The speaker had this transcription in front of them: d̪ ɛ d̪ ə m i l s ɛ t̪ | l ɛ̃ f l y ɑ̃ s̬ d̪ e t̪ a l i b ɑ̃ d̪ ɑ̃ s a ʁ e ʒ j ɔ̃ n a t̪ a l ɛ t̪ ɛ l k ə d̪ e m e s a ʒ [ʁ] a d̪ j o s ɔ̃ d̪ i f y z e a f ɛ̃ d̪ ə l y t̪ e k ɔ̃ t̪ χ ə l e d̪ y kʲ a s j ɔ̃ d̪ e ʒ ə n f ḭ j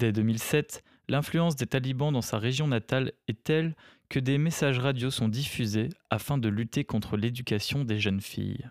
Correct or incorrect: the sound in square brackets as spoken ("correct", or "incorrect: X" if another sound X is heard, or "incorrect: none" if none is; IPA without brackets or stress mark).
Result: correct